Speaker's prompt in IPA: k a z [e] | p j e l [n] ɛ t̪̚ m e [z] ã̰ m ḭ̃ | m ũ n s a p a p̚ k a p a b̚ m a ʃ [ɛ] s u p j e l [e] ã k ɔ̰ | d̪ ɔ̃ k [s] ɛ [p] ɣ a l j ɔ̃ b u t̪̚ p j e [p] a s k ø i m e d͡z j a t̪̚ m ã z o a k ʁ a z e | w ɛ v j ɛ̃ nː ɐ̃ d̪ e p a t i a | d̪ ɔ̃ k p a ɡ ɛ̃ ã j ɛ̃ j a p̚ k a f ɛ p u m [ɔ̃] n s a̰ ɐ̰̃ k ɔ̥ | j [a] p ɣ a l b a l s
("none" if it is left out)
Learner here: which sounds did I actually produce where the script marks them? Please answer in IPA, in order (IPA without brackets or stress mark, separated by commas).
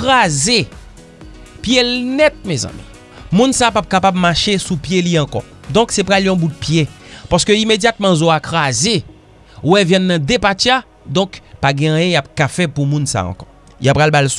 e, n, z, e, i, s, p, p, ũ, a